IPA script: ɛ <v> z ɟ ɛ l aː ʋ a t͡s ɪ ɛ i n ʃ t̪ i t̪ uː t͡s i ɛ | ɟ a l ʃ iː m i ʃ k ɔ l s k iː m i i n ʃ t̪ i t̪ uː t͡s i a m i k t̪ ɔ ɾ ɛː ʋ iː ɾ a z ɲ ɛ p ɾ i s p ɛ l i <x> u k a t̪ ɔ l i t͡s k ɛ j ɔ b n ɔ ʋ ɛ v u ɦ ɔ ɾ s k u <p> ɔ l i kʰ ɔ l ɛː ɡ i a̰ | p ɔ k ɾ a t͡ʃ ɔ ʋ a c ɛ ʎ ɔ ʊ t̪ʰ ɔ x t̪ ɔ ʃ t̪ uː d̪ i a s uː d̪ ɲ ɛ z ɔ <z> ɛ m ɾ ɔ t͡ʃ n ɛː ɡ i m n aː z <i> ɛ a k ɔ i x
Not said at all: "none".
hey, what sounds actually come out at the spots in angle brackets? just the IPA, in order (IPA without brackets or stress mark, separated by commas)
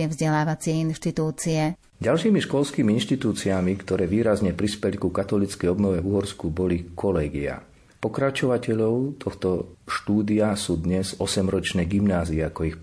v, k, b, s, i